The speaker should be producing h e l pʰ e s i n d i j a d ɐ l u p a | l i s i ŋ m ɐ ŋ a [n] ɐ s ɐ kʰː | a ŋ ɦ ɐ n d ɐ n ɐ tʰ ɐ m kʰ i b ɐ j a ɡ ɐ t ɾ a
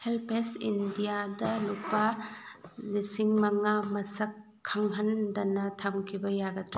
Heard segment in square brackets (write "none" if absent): m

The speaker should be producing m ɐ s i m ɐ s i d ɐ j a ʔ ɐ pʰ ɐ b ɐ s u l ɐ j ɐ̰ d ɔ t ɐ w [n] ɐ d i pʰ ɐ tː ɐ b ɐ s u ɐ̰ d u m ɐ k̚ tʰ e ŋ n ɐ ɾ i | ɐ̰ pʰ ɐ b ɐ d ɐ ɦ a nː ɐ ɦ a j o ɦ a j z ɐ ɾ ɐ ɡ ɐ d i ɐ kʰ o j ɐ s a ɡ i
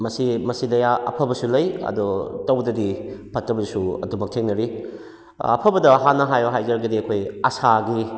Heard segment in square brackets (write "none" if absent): d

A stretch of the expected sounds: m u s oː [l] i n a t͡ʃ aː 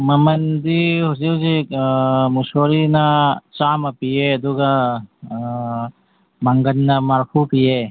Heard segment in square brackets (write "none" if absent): ɾ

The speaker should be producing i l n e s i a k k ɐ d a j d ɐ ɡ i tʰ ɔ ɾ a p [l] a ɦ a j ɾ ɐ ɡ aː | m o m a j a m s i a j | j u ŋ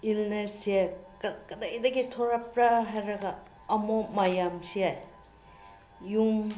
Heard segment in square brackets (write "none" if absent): ɾ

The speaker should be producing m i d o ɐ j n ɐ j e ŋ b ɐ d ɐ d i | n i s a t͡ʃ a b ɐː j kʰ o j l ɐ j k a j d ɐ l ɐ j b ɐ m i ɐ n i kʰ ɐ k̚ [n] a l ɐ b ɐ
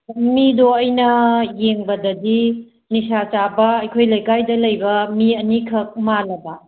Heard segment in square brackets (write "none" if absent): m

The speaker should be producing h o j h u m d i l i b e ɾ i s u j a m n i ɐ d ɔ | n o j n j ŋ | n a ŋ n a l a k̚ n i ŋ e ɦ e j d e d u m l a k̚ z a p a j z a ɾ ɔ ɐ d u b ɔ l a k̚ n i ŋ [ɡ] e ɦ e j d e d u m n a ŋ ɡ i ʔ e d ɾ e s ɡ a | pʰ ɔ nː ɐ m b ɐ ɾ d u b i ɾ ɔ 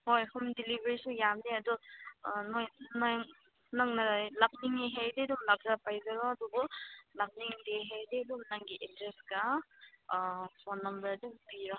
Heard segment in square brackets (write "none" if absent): d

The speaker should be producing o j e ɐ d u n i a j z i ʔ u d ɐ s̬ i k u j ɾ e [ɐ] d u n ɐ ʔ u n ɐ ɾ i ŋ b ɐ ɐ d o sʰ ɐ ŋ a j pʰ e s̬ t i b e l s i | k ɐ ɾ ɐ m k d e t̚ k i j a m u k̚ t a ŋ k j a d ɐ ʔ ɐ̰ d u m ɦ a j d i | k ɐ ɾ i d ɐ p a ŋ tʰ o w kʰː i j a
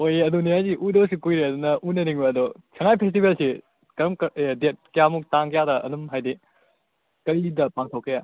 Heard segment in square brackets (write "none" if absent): ɐ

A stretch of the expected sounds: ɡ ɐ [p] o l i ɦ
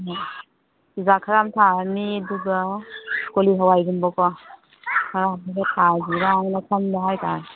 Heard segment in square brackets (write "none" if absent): k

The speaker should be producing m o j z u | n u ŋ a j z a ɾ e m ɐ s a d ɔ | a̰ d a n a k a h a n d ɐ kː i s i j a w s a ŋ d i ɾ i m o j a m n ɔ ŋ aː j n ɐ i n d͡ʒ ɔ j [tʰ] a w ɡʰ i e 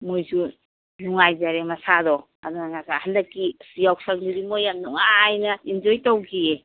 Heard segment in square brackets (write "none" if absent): t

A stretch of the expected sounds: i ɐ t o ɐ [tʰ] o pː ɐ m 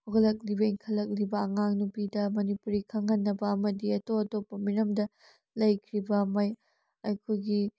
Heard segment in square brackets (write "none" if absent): t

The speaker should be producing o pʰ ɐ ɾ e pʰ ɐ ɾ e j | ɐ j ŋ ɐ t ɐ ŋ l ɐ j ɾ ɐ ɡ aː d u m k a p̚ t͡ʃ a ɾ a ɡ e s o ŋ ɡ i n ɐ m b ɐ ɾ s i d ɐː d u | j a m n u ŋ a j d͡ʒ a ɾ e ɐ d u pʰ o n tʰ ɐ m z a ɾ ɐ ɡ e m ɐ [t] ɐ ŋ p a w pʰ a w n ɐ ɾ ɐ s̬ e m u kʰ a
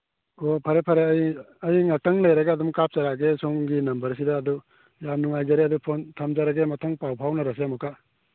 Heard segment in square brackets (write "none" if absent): tʰ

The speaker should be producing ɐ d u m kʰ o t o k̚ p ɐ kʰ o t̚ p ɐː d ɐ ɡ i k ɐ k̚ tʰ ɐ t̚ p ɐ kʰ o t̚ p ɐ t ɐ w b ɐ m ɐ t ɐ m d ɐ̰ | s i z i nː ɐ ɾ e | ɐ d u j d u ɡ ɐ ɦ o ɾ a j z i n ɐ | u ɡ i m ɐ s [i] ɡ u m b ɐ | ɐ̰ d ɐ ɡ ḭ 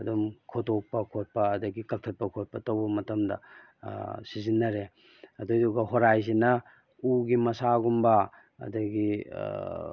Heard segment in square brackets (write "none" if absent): a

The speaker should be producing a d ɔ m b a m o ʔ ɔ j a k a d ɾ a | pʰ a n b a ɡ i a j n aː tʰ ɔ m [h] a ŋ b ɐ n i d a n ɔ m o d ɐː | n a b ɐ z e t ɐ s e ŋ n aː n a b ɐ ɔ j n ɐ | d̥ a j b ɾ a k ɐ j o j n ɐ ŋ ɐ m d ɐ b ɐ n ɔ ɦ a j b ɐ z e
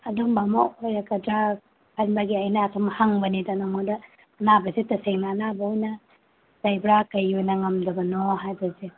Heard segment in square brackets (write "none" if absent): h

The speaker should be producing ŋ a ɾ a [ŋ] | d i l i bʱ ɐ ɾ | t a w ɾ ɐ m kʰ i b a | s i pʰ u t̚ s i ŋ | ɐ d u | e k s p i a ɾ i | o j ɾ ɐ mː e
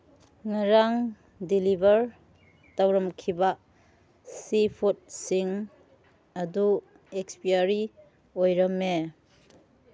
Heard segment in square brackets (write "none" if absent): ŋ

